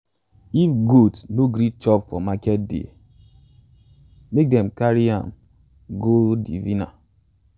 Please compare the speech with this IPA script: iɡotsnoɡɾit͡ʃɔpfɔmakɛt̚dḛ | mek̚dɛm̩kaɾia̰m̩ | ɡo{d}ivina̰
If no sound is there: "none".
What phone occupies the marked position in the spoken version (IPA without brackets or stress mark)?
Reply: d